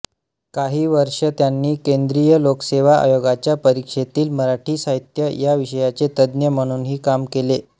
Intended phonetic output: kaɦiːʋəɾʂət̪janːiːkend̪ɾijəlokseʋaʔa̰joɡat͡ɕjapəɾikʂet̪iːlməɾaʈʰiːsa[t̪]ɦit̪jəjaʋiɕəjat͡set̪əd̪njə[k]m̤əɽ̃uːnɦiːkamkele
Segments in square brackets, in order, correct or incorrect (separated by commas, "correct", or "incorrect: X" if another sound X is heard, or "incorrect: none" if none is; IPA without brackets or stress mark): incorrect: none, incorrect: none